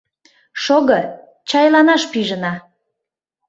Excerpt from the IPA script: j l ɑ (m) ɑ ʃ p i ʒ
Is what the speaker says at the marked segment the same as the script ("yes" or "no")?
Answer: no